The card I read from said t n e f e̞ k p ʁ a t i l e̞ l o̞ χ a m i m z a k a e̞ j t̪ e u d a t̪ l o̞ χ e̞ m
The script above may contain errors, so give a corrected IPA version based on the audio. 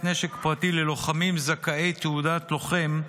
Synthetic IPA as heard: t n e ʃ e̞ k p ʁ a t i l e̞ l o̞ χ a m i m z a k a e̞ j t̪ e u d a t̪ l o̞ χ e̞ m